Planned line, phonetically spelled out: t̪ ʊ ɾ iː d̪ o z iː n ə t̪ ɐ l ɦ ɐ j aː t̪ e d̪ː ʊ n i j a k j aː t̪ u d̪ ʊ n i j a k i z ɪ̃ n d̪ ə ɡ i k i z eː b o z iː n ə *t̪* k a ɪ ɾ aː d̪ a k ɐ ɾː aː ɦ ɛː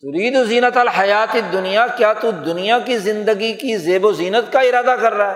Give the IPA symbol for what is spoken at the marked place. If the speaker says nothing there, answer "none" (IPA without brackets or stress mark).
t̪